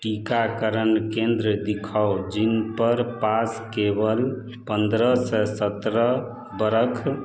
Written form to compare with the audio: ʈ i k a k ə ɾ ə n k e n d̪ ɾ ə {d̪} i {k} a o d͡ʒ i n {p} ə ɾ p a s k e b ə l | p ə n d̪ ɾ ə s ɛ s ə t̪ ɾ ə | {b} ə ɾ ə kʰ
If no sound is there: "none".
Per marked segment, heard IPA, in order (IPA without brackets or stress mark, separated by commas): d̪, kʰ, p, b